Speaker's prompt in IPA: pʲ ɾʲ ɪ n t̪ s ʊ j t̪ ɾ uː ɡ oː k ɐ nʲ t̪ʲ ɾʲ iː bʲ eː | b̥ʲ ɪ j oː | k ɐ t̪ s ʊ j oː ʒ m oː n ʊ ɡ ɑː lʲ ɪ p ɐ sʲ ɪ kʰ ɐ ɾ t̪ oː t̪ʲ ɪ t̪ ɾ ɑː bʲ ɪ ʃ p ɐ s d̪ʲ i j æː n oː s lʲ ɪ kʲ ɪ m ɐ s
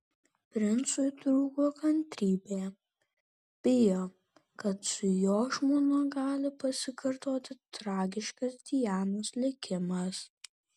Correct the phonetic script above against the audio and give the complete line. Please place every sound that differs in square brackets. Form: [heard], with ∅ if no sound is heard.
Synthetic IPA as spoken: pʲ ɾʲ ɪ n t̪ s ʊ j t̪ ɾ uː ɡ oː k ɐ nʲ t̪ʲ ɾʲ iː bʲ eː | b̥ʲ ɪ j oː | k ɐ t̪ s ʊ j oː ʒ m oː n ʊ ɡ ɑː lʲ ɪ p ɐ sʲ ɪ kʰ ɐ ɾ t̪ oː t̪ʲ ɪ t̪ ɾ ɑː [ɡʲ] ɪ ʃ [k] ɐ s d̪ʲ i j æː n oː s lʲ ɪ kʲ ɪ m ɐ s